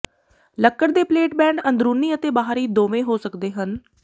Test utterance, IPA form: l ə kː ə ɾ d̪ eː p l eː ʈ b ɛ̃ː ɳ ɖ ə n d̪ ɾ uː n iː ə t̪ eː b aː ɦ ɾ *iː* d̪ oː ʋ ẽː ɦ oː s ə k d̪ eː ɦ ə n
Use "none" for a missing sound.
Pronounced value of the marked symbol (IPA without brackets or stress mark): iː